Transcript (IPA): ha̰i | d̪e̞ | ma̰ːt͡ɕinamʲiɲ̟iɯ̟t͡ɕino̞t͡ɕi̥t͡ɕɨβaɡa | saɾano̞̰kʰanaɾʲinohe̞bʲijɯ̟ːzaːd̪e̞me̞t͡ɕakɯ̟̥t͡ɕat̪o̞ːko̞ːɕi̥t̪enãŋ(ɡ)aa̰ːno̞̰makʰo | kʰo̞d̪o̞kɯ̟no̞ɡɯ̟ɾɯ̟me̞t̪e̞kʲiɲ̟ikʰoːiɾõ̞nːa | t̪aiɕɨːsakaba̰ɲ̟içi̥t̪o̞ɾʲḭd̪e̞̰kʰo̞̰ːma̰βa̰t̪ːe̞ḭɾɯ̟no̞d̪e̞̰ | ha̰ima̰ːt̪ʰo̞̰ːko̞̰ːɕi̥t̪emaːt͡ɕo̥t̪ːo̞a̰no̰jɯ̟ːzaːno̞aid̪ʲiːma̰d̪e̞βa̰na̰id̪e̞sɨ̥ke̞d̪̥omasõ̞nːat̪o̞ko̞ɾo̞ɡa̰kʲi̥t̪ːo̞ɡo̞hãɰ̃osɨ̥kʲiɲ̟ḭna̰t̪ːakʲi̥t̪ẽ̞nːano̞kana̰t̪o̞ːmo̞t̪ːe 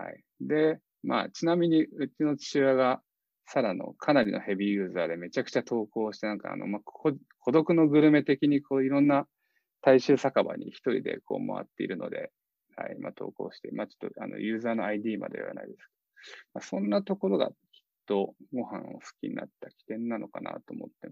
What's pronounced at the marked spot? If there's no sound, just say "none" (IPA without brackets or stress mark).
k